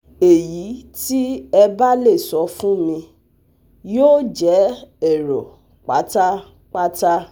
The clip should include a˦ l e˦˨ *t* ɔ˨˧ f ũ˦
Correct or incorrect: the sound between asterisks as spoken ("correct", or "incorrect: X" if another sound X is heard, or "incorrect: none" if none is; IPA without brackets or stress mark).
incorrect: s